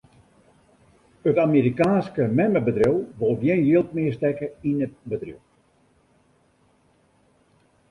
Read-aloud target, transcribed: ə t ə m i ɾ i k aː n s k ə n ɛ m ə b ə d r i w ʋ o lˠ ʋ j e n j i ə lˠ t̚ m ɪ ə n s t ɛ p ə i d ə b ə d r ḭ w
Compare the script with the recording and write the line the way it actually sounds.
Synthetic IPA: ə t a m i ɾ i k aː n s k ə m ɛ m ə b ə d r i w ʋ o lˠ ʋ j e n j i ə lˠ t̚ m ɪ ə s t ɛ k ə i n ə b ə d r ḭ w